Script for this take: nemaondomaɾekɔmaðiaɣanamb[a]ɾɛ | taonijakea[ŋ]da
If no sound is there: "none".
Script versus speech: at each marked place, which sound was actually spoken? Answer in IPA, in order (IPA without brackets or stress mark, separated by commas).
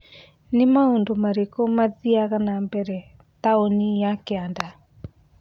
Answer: ɛ, n